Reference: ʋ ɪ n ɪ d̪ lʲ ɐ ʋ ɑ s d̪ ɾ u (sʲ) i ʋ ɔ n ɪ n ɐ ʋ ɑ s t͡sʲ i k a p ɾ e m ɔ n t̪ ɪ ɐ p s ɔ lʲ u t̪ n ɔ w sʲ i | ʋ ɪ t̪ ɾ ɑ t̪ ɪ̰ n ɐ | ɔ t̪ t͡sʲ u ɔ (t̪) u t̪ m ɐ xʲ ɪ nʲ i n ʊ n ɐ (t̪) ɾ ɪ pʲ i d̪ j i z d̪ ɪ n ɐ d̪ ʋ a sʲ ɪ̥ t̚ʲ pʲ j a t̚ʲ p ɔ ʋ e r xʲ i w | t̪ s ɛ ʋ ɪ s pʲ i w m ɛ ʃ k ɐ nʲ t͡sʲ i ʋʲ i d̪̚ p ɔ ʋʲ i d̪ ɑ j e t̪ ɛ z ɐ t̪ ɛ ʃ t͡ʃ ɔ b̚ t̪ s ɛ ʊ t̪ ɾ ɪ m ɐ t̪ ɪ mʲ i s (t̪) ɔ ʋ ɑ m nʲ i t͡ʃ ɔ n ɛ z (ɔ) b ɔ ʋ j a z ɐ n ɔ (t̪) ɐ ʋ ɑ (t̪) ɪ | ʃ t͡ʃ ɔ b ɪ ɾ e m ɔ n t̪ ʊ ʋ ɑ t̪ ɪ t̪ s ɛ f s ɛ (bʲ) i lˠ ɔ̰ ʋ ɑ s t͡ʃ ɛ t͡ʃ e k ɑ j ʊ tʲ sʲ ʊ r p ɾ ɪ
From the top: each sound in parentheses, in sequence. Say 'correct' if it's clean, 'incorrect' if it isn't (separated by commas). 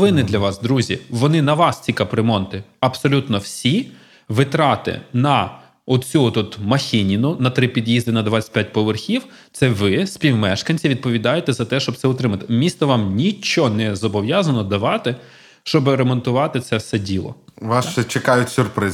incorrect, correct, correct, correct, correct, incorrect, correct, incorrect